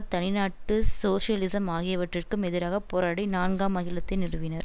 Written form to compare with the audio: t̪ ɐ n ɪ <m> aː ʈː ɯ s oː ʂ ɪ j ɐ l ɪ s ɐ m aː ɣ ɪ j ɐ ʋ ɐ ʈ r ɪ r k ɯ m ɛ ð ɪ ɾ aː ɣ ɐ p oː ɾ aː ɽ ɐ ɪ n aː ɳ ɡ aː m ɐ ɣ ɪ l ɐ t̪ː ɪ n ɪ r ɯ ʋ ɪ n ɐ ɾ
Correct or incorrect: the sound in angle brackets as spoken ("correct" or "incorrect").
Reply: incorrect